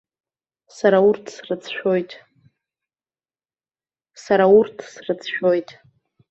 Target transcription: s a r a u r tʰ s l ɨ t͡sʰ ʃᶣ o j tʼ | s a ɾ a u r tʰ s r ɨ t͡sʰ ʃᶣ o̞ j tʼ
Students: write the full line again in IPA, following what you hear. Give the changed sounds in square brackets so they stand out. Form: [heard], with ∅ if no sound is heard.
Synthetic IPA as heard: s a [ɾ] a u r tʰ s [r] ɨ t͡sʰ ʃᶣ o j tʼ | s a ɾ a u r tʰ s r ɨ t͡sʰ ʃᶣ o̞ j tʼ